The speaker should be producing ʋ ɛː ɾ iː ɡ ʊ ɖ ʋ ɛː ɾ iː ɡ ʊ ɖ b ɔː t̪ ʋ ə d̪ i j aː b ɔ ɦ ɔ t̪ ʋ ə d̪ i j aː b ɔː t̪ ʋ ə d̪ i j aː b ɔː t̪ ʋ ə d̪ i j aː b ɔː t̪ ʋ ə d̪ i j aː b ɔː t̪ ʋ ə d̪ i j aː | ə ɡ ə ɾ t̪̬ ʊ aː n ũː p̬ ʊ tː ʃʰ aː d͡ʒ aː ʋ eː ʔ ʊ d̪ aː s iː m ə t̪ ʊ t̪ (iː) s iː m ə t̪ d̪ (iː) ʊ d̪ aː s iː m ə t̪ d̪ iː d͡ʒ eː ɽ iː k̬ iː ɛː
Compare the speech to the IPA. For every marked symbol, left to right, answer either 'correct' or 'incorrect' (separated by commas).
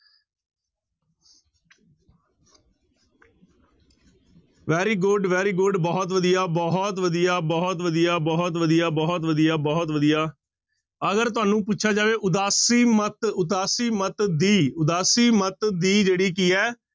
incorrect, correct